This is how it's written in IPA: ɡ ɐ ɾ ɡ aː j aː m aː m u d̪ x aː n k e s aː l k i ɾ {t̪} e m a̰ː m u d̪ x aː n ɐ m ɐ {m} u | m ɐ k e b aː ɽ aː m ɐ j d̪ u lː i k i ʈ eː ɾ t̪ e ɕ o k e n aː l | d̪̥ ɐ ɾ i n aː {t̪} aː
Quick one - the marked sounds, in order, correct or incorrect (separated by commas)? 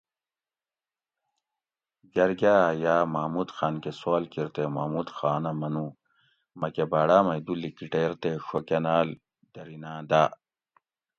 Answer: correct, incorrect, incorrect